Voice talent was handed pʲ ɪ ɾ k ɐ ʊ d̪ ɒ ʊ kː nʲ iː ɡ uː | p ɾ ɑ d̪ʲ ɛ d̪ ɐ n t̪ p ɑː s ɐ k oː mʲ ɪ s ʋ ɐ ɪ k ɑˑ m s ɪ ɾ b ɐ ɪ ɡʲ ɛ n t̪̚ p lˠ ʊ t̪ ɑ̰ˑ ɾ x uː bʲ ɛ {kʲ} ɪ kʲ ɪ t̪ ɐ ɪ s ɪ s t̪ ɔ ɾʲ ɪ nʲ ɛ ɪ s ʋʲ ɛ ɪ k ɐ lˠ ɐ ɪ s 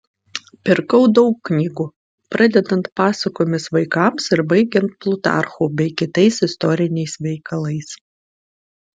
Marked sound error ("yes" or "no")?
yes